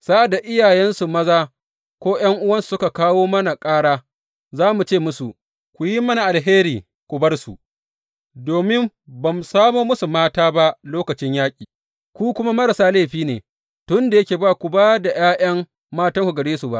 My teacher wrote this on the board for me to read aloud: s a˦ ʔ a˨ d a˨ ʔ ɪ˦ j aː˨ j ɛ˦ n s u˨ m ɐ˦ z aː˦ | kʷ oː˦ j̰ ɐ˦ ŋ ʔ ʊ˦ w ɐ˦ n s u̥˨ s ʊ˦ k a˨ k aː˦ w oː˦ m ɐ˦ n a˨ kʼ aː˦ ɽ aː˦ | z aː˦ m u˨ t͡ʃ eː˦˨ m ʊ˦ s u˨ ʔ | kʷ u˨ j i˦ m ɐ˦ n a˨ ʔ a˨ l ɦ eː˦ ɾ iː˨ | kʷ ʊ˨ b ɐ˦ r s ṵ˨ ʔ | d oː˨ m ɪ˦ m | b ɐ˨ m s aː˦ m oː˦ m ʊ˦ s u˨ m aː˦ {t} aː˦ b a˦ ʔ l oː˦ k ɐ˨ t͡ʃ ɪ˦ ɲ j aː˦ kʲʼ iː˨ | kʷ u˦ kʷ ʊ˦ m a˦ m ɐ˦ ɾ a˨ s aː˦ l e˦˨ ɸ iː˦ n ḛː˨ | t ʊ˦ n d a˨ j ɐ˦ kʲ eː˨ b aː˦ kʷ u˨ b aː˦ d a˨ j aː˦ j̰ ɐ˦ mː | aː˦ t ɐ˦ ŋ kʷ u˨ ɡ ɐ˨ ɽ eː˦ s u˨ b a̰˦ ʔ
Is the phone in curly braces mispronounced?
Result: no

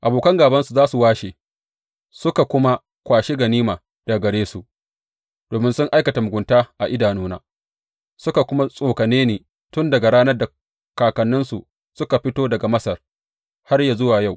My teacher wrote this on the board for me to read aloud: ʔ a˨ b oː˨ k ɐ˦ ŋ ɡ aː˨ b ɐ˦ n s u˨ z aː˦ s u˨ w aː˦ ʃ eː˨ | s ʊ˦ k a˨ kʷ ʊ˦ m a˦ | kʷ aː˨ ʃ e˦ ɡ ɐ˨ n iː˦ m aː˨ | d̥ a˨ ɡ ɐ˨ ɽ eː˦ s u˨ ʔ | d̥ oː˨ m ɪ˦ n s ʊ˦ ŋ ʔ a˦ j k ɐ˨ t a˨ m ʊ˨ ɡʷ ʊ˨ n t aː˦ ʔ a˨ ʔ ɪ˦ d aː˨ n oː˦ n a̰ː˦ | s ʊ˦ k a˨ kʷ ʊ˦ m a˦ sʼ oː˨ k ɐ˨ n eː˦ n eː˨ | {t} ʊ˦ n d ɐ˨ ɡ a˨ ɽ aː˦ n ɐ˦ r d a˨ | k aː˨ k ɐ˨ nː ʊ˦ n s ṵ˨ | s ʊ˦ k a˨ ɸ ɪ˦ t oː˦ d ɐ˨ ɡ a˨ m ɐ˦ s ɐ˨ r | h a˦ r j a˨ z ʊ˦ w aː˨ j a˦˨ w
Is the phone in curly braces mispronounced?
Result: no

